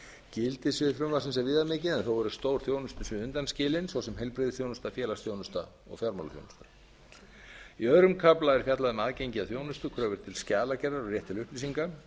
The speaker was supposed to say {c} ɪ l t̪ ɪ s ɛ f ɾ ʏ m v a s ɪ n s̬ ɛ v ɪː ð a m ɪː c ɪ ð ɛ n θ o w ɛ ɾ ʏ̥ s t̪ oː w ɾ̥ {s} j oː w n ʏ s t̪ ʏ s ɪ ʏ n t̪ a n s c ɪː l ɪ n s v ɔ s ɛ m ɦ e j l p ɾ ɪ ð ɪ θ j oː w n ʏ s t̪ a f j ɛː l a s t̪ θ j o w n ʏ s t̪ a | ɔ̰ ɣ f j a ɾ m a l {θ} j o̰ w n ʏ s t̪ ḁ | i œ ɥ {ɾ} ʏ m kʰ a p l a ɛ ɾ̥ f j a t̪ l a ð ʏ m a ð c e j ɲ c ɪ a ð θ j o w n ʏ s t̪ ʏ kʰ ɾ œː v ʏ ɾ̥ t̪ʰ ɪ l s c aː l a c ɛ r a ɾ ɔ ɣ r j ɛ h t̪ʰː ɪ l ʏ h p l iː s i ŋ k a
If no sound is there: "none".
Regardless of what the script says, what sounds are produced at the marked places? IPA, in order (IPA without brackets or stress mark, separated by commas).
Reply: c, θ, θ, ɾ